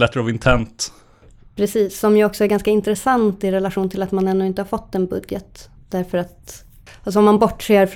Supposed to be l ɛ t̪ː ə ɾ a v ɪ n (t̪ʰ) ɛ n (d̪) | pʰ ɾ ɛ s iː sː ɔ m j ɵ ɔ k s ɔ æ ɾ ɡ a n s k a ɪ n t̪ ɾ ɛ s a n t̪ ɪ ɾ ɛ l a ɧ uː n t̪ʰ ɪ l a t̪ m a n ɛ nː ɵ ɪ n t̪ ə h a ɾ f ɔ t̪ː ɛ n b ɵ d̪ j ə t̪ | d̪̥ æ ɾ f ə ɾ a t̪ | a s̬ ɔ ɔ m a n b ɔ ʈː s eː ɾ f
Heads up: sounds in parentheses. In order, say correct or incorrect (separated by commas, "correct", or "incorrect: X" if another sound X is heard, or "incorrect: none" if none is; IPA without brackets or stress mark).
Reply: correct, incorrect: t̪